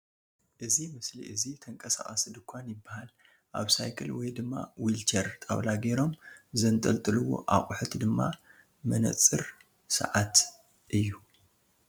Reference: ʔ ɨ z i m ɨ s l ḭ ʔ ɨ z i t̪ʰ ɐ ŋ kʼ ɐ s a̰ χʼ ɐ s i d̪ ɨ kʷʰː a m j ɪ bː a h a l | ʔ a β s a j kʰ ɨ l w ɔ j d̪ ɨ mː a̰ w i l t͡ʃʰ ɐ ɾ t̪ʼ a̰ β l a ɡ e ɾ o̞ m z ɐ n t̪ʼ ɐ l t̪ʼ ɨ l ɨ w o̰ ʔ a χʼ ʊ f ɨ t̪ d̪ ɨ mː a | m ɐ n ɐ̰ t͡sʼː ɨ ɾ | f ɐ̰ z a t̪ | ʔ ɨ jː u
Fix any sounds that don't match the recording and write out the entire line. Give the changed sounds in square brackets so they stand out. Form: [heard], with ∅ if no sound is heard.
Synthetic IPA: ʔ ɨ z i m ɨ s l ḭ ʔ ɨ z i t̪ʰ ɐ ŋ kʼ ɐ s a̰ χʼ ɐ s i d̪ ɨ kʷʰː a [n] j ɪ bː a h a l | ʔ a β s a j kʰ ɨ l w ɔ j d̪ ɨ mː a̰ w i l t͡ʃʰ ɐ ɾ t̪ʼ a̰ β l a ɡ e ɾ o̞ m z ɐ n t̪ʼ ɐ l t̪ʼ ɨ l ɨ w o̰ ʔ a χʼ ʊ [ħ] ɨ t̪ d̪ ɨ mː a | m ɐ n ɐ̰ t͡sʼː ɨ ɾ | [s] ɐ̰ [ʕ] a t̪ | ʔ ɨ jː u